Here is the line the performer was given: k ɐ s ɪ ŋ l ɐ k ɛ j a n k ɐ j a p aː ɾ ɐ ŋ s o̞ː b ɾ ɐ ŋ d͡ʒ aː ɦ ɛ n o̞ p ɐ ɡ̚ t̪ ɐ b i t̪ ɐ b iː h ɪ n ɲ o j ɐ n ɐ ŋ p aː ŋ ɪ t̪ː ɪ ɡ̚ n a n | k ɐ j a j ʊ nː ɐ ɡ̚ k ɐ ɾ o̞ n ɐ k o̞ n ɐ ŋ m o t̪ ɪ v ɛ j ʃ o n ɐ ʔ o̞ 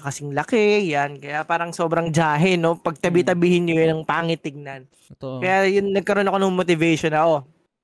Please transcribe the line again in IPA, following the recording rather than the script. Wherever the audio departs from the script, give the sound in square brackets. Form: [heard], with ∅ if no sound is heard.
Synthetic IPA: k ɐ s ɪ ŋ l ɐ k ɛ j a n k ɐ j a p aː ɾ ɐ ŋ s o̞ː b ɾ ɐ ŋ d͡ʒ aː ɦ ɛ n o̞ p ɐ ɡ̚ t̪ ɐ b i t̪ ɐ b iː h ɪ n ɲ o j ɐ n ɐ ŋ p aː ŋ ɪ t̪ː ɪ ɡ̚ n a n | k ɐ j a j ʊ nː ɐ ɡ̚ k ɐ ɾ o̞ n ɐ k o̞ n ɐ ŋ m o t̪ ɪ v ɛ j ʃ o n ɐ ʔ o̞